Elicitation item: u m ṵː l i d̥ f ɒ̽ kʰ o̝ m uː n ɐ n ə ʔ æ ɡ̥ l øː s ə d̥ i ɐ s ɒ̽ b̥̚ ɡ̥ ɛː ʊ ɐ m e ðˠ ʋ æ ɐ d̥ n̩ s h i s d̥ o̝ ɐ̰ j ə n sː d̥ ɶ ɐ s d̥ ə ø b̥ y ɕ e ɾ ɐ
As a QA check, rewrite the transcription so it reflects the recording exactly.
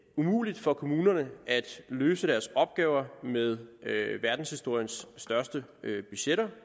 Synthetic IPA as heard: u m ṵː l i d̥ f ɒ̽ kʰ o̝ m uː n ɐ n ə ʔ æ d̥ l øː s ə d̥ æ ɐ s ɒ̽ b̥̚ ɡ̥ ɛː ʊ ɐ m e ðˠ ʋ æ ɐ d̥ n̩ s h i s d̥ o̝ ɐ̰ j ə n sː d̥ ɶ ɐ s d̥ ə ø b̥ y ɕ e ɾ ɐ

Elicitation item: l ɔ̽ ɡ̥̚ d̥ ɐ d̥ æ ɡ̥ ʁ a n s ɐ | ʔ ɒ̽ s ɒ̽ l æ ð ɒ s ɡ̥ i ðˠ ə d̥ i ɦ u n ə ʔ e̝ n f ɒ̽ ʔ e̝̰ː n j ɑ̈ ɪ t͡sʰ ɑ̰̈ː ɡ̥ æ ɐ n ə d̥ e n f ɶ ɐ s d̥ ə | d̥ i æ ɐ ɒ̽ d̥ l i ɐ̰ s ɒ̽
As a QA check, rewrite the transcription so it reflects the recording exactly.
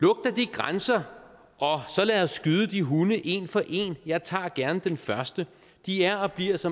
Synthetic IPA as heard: l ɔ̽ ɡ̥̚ d̥ ɐ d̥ i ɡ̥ ʁ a n s ɐ | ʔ ɒ̽ s ɒ̽ l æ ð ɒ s ɡ̥ y ðˠ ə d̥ i ɦ u n ə ʔ e̝ n f ɒ̽ ʔ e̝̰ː n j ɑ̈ ɪ t͡sʰ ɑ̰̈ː ɡ̥ æ ɐ n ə d̥ e n f ɶ ɐ s d̥ ə | d̥ i æ ɐ ɒ̽ b̥ l i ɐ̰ s ɒ̽

